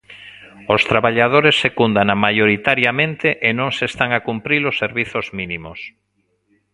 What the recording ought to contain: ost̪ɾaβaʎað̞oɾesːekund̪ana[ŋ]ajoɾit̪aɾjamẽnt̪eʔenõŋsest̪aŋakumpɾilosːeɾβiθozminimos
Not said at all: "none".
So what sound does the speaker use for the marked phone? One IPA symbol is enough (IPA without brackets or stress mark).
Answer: m